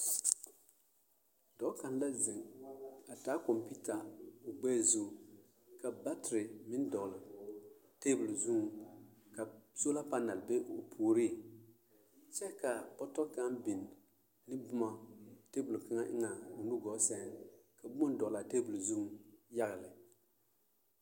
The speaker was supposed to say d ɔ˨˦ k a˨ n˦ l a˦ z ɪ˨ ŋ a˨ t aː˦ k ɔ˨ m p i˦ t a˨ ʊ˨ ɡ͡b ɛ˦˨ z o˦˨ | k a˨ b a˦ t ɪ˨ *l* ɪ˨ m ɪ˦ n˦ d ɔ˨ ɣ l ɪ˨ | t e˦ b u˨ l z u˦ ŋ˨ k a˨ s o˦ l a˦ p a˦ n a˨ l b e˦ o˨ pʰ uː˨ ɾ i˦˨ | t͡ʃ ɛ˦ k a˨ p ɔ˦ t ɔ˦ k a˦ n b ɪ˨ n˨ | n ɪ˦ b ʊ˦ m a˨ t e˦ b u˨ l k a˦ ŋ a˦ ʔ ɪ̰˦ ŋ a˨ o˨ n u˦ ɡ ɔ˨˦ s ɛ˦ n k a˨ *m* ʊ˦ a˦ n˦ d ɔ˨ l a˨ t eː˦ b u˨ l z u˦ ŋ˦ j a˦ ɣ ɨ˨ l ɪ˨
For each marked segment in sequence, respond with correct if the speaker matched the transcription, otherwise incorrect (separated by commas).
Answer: incorrect, incorrect